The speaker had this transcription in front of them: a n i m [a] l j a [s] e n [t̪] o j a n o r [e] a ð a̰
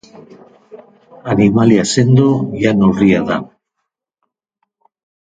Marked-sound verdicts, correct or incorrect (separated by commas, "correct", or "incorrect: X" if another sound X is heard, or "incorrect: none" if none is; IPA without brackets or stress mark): correct, correct, incorrect: d̪, incorrect: i